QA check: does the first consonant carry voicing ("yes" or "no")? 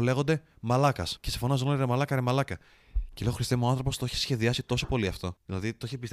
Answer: yes